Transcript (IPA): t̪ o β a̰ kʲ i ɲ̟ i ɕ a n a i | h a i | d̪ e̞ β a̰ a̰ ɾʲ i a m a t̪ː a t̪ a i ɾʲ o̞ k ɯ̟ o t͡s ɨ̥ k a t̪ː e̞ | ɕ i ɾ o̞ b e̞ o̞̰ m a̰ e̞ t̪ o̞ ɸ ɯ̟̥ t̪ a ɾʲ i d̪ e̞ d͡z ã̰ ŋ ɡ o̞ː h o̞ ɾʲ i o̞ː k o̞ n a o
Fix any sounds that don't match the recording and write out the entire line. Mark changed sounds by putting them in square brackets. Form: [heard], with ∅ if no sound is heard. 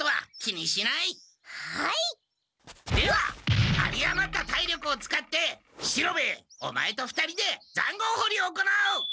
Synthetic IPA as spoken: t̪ o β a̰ kʲ i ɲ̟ i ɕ [i] n a i | h a i | d̪ e̞ β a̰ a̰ ɾʲ i a m a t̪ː a t̪ a i ɾʲ o̞ k ɯ̟ o t͡s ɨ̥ k a t̪ː e̞ | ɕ i ɾ o̞ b e̞ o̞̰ m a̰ e̞ t̪ o̞ ɸ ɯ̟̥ t̪ a ɾʲ i d̪ e̞ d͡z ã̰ ŋ ɡ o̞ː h o̞ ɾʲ i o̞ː k o̞ n a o